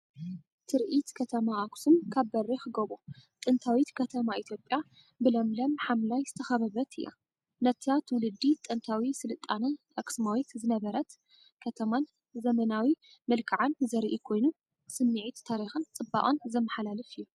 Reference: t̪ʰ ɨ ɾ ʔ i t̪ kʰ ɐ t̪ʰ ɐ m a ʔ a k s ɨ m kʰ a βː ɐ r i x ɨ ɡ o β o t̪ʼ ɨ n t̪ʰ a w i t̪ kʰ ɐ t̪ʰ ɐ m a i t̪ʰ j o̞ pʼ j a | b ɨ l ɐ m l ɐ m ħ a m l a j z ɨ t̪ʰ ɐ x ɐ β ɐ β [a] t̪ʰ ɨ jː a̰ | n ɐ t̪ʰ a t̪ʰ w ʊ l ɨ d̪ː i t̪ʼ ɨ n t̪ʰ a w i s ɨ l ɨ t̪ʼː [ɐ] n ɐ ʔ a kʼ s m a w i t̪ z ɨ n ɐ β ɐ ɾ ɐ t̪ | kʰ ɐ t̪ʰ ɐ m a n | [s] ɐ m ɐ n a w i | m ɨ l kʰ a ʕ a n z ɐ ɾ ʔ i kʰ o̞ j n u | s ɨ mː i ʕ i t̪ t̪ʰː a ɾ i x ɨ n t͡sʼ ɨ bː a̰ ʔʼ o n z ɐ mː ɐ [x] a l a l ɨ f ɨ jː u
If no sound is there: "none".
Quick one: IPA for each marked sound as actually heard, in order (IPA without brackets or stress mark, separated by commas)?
ɐ, a, z, ħ